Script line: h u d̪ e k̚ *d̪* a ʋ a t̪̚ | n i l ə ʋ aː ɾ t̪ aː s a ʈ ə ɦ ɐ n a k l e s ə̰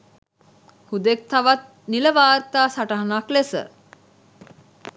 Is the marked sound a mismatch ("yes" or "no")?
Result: yes